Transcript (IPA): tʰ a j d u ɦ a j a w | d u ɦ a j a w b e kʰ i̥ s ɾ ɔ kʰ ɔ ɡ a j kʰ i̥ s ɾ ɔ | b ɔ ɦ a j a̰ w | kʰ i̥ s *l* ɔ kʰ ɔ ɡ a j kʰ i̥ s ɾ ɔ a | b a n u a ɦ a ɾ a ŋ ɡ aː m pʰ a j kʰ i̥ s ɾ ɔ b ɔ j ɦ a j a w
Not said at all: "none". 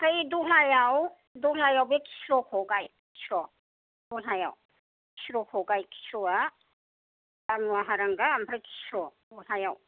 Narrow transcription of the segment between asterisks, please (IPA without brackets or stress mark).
ɾ